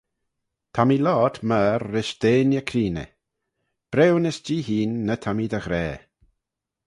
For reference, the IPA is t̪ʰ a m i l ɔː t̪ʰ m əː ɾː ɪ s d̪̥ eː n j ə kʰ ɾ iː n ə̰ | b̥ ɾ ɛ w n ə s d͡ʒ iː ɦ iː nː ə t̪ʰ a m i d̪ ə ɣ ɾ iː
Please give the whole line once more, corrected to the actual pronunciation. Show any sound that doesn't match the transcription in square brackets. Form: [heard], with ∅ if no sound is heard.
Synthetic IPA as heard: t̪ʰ a m i l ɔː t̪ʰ m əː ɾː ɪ [ʃ] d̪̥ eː n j ə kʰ ɾ iː n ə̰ | b̥ ɾ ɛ w n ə s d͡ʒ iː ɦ iː nː ə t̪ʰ a m i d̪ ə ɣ ɾ [ɛː]